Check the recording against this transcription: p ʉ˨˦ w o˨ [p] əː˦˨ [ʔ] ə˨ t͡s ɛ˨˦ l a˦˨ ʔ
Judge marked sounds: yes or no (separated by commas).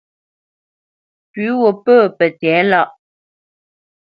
yes, no